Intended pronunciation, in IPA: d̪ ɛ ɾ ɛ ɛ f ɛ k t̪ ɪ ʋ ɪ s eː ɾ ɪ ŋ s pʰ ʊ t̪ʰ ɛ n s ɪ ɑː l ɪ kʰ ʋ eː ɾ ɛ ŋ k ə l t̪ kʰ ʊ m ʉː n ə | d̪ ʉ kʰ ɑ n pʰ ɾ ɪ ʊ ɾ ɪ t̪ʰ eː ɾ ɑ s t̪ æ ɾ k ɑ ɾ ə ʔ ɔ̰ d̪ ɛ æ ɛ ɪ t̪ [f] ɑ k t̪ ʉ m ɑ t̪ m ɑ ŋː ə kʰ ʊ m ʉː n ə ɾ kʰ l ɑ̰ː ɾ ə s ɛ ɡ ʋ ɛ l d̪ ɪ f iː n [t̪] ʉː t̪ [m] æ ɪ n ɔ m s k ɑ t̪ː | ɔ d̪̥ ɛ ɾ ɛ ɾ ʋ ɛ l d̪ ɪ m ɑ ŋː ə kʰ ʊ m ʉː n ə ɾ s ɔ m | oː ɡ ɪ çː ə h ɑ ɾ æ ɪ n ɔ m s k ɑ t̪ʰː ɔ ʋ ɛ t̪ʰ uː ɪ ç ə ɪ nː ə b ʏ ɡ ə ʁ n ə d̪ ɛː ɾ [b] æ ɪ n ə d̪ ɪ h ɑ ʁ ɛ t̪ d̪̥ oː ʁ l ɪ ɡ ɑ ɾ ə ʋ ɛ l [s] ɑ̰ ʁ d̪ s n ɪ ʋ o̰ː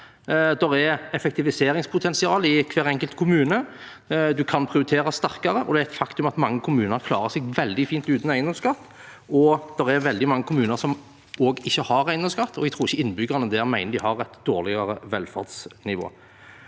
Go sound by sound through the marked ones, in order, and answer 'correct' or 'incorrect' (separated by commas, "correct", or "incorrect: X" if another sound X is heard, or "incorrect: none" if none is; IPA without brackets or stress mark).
correct, correct, incorrect: n, incorrect: m, incorrect: f